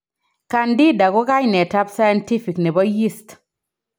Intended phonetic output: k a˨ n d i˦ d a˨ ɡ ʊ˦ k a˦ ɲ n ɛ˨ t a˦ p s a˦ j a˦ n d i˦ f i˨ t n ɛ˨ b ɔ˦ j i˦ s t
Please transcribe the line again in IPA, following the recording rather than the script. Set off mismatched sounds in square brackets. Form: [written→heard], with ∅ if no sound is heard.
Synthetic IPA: k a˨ n d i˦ d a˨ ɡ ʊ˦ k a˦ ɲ n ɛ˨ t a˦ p s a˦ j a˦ n [d→t] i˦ f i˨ [t→k] n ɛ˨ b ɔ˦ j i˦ s t